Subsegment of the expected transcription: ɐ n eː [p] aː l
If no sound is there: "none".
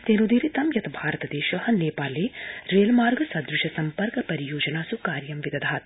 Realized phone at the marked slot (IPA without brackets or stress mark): p